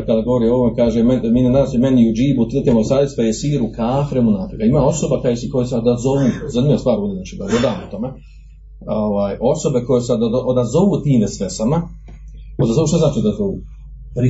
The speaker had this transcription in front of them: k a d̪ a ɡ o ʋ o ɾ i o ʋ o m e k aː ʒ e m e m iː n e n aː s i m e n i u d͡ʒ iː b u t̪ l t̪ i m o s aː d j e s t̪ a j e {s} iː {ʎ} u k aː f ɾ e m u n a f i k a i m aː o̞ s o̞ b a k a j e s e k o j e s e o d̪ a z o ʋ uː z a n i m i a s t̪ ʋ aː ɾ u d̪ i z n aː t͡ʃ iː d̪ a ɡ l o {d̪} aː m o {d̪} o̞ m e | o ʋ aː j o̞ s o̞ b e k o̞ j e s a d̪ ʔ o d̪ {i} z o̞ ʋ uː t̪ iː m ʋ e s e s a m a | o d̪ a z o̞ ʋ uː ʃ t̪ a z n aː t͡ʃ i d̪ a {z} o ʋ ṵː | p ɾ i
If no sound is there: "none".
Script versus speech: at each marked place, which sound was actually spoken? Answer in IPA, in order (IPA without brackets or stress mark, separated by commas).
s, ɾ, d̪, t̪, a, z